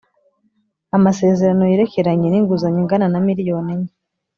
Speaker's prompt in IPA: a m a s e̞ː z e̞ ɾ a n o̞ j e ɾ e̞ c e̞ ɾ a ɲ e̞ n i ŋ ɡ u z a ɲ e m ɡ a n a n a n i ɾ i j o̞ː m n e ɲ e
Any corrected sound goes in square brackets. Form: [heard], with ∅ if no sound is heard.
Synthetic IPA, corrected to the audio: a m a s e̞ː z e̞ ɾ a n o̞ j e ɾ e̞ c e̞ ɾ a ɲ e̞ n i ŋ ɡ u z a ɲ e [ŋ] ɡ a n a n a [m] i ɾ i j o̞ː [∅] n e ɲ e